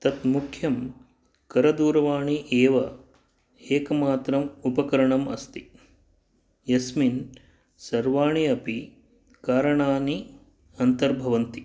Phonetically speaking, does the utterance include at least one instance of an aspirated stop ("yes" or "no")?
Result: yes